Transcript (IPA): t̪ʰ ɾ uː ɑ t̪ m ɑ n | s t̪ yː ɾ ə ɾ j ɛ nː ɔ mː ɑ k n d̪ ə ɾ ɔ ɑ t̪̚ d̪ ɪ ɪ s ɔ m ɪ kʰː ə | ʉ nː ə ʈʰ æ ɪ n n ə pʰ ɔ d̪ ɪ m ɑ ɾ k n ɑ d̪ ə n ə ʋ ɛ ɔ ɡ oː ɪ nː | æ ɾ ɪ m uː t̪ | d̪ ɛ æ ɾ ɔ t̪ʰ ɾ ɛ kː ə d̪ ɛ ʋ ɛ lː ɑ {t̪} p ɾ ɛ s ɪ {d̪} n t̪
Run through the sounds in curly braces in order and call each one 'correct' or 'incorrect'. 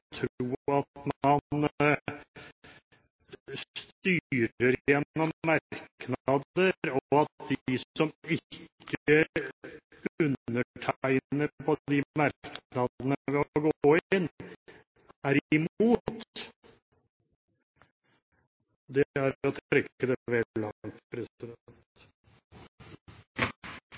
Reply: correct, correct

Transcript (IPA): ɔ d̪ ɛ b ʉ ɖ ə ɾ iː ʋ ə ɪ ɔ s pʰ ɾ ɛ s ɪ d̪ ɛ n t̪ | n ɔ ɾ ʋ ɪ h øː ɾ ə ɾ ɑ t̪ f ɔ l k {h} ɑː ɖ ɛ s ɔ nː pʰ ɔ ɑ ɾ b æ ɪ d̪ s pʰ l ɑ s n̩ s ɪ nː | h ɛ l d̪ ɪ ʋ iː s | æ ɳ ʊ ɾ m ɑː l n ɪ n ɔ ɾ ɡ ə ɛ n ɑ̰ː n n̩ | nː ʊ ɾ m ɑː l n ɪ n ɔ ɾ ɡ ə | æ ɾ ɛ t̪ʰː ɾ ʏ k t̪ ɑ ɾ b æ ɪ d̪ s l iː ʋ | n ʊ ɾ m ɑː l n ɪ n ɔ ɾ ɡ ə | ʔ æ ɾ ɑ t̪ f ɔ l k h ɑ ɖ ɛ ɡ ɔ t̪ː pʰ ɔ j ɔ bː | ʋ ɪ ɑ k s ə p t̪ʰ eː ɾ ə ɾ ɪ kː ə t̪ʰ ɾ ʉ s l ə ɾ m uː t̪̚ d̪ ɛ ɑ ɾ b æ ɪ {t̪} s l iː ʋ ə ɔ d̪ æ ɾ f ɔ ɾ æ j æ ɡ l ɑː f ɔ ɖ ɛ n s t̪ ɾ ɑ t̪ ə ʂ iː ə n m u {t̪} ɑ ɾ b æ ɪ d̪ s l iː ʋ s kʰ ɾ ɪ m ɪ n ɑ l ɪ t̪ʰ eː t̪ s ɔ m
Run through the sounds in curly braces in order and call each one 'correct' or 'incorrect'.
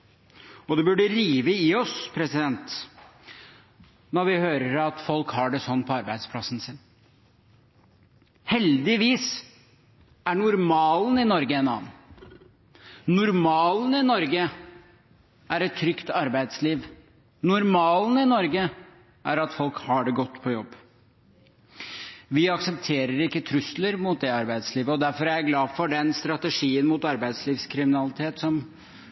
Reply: correct, incorrect: d̪, correct

